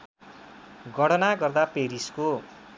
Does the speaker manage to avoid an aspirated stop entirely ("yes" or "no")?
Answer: yes